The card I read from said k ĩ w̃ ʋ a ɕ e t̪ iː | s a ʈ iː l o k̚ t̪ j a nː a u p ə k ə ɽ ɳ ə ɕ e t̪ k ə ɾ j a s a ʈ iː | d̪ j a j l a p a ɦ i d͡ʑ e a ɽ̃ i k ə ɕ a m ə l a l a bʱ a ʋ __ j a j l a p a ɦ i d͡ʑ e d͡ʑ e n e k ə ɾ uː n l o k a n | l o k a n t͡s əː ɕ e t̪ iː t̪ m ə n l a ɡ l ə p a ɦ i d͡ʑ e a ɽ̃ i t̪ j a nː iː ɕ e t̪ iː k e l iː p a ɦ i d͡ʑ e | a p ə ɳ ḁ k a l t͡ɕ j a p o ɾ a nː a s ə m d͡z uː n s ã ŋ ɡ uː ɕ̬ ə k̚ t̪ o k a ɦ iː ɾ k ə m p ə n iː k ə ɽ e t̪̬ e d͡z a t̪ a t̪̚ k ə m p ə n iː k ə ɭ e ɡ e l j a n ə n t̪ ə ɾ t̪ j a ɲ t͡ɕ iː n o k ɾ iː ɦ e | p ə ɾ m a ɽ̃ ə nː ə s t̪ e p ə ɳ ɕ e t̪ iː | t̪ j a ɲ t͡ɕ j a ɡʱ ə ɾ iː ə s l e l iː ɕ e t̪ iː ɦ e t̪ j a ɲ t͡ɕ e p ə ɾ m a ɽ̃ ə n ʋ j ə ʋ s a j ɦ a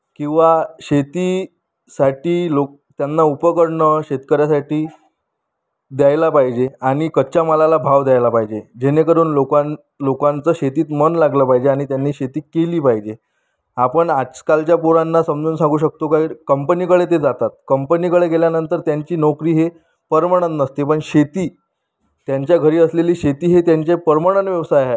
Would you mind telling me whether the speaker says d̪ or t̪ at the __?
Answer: d̪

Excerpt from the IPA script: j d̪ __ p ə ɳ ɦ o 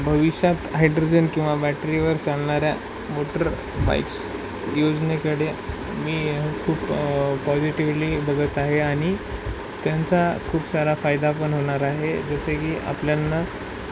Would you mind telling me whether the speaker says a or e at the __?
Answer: a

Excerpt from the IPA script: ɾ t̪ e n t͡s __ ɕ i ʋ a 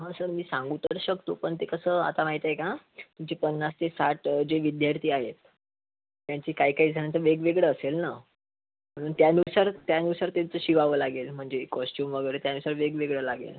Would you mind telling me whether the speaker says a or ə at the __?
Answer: ə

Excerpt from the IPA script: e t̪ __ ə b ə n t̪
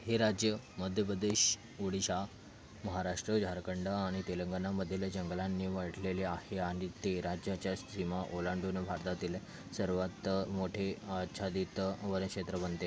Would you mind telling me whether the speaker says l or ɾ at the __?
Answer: ɾ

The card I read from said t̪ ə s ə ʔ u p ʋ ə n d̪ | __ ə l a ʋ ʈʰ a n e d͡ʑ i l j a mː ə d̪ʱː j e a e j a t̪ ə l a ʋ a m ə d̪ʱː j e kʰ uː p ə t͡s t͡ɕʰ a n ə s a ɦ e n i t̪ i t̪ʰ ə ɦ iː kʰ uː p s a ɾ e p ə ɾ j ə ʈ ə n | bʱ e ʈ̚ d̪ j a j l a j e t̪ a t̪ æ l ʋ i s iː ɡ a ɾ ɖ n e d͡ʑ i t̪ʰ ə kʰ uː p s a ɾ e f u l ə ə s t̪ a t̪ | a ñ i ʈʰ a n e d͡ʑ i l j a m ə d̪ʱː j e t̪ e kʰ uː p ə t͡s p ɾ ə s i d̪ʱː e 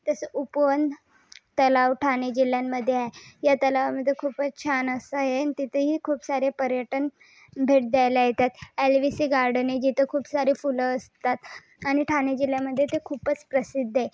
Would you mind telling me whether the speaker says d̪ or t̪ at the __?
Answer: t̪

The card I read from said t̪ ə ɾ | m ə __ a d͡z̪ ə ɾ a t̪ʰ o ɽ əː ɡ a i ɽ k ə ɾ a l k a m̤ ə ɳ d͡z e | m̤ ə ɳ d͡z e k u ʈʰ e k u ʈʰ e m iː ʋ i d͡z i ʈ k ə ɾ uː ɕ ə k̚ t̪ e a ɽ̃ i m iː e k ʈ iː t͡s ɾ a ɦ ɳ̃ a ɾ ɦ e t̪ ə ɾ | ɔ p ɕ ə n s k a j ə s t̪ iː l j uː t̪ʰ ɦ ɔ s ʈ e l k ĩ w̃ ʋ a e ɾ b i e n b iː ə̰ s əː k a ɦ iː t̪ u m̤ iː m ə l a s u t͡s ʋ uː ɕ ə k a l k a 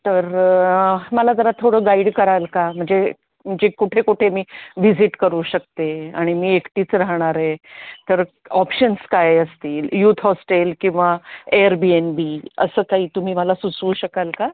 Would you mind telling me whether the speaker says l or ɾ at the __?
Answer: l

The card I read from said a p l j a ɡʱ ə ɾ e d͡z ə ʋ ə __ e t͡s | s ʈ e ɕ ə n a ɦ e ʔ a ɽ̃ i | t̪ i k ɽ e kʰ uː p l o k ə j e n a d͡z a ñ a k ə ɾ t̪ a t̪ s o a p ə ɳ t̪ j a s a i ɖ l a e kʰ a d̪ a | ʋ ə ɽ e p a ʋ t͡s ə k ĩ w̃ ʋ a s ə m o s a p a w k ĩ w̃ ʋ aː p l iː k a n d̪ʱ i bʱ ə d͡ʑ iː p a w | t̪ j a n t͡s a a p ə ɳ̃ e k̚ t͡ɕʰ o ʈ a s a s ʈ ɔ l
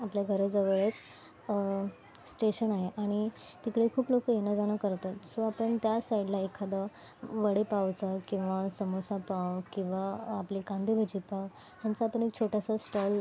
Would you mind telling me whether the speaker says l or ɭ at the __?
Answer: ɭ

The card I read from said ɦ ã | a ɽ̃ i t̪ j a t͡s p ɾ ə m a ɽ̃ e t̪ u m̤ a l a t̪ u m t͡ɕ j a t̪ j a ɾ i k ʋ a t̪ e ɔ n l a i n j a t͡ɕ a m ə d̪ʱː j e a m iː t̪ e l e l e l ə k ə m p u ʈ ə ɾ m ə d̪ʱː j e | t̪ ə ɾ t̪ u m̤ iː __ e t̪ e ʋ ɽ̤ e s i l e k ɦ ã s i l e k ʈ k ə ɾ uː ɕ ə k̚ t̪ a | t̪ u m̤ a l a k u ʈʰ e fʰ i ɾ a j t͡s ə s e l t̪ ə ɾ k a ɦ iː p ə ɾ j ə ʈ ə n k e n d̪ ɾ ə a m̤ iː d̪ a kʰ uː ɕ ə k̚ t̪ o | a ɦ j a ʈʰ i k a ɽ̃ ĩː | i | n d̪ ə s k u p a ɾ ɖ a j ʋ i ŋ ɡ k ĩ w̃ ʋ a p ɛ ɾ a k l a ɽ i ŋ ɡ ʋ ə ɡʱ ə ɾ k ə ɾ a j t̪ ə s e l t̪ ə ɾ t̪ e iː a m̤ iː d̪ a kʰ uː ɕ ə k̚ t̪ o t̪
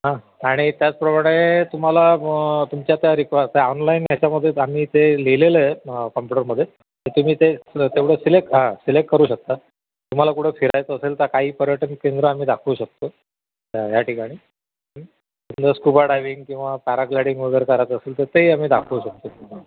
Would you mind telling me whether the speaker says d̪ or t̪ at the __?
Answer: t̪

